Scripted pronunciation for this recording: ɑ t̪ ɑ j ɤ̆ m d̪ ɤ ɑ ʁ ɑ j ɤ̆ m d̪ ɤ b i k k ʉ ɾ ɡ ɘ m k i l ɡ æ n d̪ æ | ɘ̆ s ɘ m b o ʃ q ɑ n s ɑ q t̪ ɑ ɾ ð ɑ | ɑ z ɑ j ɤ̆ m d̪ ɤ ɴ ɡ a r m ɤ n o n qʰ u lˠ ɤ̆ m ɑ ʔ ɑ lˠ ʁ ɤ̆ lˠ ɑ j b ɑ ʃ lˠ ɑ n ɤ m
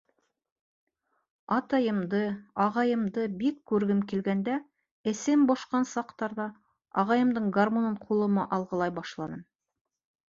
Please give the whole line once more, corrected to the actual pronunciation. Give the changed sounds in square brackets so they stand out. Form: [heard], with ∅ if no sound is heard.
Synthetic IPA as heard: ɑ t̪ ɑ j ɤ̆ m d̪ ɤ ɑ ʁ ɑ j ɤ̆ m d̪ ɤ b i k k ʉ ɾ ɡ ɘ m k i l ɡ æ n d̪ æ | ɘ̆ s ɘ m b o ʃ q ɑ n s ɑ q t̪ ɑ ɾ ð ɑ | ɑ [ʁ] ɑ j ɤ̆ m d̪ ɤ ɴ ɡ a r m [o] n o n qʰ u lˠ ɤ̆ m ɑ ʔ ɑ lˠ ʁ ɤ̆ lˠ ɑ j b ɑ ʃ lˠ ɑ n ɤ m